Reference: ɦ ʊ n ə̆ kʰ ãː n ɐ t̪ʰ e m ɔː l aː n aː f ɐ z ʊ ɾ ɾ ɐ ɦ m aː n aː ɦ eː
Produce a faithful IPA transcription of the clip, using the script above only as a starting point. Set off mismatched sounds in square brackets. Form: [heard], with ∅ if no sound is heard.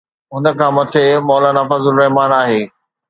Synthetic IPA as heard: ɦ ʊ n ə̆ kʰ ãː [m] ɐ t̪ʰ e m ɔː l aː n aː f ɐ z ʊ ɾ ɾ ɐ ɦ m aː n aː ɦ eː

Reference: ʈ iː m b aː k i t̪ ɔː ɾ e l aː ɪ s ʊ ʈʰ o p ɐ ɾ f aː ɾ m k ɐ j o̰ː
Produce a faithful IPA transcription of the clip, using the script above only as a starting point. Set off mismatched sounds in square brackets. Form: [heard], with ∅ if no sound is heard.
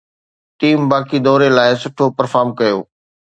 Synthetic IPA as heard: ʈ iː m b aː k i [d̪] ɔː ɾ e l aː ɪ s ʊ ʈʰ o p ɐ ɾ f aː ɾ m k ɐ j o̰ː

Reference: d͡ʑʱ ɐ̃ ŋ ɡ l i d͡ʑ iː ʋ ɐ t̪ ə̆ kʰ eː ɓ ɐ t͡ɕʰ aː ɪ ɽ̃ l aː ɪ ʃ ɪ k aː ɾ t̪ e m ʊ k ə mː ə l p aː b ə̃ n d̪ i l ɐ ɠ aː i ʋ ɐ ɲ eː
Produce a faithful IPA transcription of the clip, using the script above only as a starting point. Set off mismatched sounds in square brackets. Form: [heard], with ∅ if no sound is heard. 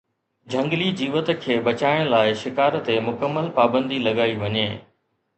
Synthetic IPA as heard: d͡ʑʱ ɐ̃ ŋ ɡ l i d͡ʑ iː ʋ [ə] t̪ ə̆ kʰ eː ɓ ɐ [t͡ɕ] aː ɪ ɽ̃ l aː ɪ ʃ ɪ k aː ɾ t̪ e m ʊ k ə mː ə l p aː b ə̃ n d̪ i l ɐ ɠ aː i ʋ ɐ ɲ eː

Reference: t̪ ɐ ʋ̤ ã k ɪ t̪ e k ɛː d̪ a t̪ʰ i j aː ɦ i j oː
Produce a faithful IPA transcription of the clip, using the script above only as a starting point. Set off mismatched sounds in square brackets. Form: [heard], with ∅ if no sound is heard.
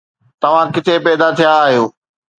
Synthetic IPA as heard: t̪ ɐ ʋ̤ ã k ɪ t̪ e [p] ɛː d̪ a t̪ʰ i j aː ɦ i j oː

